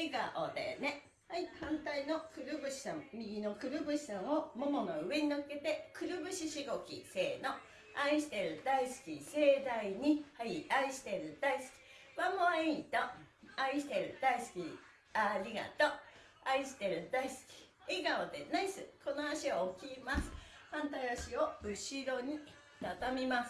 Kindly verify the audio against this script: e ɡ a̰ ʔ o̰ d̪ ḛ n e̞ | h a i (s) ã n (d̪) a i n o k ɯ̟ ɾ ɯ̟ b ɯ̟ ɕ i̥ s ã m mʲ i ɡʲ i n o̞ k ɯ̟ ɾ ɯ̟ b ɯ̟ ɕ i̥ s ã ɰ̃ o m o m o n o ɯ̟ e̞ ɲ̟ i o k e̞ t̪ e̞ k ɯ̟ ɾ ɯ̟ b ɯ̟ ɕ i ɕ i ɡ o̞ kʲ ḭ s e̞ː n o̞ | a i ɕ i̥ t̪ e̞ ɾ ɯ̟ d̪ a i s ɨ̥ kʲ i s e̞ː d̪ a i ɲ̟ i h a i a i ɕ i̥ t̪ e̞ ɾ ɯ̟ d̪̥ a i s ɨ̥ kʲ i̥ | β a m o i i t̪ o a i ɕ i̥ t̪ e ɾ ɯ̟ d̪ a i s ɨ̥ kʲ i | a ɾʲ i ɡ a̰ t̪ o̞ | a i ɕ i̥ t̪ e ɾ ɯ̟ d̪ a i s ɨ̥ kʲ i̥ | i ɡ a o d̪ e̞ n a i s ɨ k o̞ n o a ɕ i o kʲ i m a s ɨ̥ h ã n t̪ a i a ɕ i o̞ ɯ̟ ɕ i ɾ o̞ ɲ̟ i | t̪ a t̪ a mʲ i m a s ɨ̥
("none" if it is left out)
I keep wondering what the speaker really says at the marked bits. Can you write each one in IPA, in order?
h, t̪

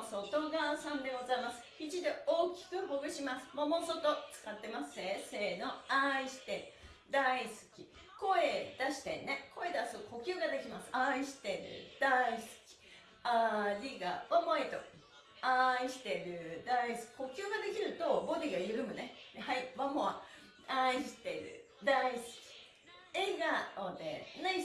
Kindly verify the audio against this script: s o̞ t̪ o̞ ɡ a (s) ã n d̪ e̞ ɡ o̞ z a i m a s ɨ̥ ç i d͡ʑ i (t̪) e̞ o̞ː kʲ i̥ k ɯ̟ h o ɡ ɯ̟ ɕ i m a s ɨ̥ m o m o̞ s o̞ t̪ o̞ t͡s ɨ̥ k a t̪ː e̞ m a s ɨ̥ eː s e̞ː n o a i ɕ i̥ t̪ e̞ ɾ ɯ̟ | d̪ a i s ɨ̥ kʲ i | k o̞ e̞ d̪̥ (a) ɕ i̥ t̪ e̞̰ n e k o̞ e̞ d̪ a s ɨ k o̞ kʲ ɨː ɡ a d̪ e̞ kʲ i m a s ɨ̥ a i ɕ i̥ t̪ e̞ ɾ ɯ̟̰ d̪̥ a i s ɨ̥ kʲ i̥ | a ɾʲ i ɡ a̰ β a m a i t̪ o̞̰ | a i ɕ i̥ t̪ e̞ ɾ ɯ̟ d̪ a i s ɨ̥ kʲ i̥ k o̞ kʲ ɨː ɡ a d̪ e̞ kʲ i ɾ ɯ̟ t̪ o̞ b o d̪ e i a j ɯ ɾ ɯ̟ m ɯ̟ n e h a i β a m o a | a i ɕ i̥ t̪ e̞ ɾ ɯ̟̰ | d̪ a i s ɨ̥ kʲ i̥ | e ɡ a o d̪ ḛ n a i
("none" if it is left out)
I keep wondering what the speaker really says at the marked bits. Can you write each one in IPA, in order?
s, d̪, a

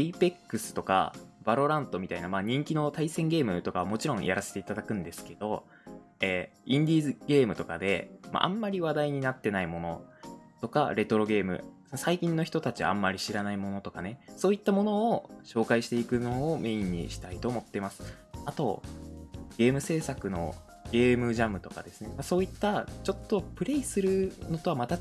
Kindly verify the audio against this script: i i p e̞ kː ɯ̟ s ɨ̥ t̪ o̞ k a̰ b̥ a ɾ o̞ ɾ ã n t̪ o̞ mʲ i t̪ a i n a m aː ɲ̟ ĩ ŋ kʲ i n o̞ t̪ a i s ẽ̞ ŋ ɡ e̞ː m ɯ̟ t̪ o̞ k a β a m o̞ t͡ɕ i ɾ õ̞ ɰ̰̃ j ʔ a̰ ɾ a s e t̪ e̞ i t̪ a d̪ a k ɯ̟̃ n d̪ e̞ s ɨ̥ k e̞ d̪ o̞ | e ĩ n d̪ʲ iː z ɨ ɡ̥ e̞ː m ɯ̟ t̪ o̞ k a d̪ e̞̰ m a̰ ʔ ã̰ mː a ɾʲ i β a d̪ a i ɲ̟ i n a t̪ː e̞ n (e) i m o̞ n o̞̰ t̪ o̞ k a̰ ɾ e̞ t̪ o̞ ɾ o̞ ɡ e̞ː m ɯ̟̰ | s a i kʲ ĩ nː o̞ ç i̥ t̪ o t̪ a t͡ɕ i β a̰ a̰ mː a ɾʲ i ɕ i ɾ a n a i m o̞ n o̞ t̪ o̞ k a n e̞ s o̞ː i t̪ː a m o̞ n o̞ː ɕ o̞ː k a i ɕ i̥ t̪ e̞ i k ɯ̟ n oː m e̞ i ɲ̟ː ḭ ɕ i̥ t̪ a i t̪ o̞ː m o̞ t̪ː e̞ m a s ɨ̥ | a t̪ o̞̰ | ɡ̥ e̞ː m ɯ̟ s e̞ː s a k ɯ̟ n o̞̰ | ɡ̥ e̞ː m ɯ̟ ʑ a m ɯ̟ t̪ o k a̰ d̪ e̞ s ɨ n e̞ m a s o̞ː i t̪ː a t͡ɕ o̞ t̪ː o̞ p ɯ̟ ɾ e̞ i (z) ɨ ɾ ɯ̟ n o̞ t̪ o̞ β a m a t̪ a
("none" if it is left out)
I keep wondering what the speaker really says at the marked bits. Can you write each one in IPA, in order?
a, s

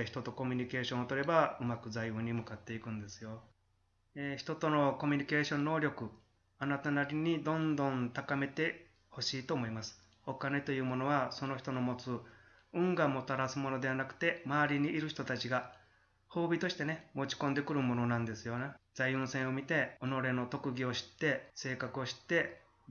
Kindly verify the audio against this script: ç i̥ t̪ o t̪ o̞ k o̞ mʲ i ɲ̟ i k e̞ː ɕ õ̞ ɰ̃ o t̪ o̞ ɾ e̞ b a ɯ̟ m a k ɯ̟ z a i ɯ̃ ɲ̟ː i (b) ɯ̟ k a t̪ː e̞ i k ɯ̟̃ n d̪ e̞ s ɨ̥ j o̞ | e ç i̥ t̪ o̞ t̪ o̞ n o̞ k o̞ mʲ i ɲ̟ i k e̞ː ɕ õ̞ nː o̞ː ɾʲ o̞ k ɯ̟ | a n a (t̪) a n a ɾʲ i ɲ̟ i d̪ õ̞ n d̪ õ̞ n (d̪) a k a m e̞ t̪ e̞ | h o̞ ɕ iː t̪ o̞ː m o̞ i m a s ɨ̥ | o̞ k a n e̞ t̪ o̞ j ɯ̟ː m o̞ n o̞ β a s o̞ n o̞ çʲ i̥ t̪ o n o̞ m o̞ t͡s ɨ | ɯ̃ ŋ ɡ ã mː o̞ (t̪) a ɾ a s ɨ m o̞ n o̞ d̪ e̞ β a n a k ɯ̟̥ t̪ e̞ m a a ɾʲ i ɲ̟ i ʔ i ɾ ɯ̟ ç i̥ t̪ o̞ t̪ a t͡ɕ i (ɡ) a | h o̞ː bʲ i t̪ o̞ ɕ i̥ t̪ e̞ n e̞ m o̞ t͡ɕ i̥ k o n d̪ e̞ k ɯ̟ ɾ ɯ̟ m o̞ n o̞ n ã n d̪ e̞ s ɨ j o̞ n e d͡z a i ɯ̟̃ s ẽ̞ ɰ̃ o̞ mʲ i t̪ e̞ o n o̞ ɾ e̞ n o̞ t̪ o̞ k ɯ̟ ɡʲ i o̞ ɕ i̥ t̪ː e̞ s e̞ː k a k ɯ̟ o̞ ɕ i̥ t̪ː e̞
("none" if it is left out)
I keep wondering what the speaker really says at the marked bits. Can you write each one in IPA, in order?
m, t̪, t̪, t̪, ɡ

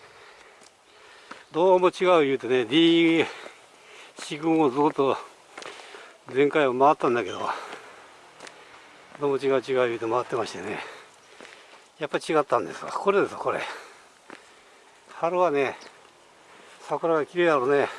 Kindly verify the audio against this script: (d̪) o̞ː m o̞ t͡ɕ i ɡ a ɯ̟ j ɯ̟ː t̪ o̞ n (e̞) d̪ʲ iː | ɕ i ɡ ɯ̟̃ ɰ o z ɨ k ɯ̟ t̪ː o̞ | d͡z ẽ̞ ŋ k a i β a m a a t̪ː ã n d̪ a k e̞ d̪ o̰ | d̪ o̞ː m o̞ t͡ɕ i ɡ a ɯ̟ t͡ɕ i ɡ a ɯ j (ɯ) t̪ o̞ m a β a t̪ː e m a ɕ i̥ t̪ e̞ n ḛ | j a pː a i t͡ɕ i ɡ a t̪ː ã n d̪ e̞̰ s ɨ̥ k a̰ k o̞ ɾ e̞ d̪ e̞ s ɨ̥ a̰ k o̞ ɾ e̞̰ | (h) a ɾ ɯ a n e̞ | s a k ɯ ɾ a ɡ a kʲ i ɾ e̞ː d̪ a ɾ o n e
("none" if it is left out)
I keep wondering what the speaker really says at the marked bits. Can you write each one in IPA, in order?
d̪, e̞, ɯː, h

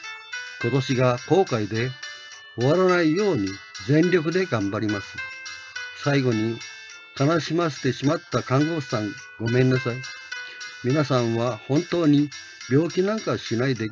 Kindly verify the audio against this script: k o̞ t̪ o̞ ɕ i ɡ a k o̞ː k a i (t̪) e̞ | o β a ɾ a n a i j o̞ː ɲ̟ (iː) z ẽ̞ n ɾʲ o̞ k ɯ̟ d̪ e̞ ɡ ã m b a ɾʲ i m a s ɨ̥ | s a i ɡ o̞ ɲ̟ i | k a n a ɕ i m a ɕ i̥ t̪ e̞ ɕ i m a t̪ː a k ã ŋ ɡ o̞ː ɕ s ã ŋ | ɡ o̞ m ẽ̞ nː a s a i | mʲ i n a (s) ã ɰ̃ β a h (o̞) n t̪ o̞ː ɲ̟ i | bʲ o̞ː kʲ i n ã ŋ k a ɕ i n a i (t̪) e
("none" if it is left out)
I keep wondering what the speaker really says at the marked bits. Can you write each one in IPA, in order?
d̪, i, s, õ̞, d̪

